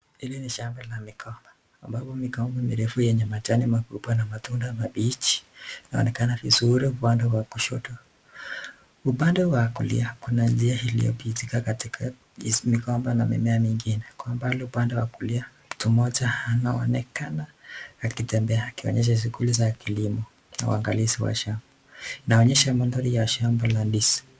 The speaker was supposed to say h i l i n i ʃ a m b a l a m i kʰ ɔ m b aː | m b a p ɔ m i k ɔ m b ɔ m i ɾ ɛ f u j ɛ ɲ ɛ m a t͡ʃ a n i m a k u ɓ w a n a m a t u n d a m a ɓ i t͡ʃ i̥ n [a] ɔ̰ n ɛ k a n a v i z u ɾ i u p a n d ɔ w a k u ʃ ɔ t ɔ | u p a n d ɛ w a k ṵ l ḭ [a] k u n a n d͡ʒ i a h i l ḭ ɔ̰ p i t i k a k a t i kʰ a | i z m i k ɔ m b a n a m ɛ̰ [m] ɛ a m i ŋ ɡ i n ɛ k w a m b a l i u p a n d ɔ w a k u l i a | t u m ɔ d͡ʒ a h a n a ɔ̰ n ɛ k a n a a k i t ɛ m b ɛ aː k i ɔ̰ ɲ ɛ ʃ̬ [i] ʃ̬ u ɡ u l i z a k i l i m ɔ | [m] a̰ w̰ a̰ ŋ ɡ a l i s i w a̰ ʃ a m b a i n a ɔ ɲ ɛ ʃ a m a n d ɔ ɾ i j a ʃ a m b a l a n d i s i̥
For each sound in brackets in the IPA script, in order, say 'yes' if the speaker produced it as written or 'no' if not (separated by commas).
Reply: yes, yes, yes, no, no